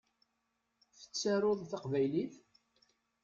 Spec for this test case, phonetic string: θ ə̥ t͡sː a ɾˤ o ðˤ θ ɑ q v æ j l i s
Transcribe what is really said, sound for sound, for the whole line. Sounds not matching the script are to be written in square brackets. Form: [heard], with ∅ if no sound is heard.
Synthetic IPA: θ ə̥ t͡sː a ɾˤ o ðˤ θ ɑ q v æ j l i [θ]